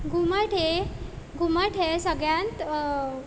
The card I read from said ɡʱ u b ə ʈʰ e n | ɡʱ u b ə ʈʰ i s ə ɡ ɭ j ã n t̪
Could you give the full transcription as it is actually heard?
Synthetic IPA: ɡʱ u m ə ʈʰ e | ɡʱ u m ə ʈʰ e s ə ɡ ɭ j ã n t̪